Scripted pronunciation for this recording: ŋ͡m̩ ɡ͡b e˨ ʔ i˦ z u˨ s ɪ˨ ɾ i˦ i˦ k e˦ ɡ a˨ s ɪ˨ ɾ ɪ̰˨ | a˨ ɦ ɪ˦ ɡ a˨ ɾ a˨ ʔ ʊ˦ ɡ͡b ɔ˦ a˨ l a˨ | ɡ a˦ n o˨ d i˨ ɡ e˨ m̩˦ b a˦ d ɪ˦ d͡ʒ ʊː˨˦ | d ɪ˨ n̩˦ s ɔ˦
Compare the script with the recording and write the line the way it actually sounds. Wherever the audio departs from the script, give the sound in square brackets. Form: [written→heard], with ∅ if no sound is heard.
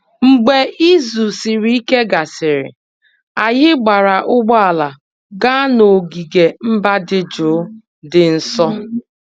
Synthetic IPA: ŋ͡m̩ ɡ͡b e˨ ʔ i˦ z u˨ s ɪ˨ ɾ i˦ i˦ k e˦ ɡ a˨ s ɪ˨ ɾ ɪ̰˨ | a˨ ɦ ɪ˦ [ɡ→ɡ͡b] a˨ ɾ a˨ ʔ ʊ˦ ɡ͡b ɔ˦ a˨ l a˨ | ɡ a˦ n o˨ [d→ɡ] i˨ ɡ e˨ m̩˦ b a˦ d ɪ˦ d͡ʒ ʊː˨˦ | d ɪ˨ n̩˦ s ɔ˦